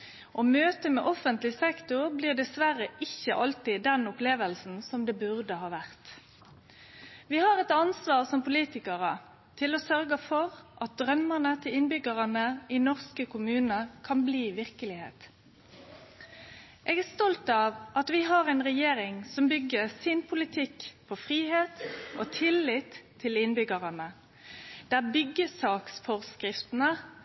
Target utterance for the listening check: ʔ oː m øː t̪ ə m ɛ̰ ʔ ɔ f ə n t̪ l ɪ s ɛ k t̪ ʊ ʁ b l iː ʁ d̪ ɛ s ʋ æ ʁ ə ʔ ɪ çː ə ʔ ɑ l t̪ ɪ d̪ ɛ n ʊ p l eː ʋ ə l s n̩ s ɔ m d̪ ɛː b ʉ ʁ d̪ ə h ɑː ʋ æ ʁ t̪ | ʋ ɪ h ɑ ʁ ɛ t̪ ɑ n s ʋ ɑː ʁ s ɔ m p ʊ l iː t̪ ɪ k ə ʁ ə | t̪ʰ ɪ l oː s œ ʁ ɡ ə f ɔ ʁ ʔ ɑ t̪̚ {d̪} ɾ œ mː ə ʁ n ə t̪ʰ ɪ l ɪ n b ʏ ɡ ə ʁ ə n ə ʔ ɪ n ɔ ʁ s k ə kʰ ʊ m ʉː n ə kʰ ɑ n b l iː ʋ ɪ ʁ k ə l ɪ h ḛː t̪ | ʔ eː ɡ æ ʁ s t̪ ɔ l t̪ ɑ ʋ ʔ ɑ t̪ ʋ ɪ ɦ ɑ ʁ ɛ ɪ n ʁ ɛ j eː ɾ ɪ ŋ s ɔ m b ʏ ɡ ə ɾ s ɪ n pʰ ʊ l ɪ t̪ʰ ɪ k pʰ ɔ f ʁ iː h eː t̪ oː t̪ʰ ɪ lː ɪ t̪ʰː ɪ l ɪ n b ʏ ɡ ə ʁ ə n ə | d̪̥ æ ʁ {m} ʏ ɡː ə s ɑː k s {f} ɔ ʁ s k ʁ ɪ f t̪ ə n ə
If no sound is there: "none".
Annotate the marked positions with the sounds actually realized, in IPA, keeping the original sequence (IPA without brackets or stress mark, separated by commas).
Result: d̪, b, f